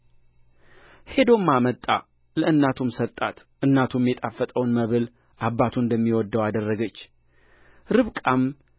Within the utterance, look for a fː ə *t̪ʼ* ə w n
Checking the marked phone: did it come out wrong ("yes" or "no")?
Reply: no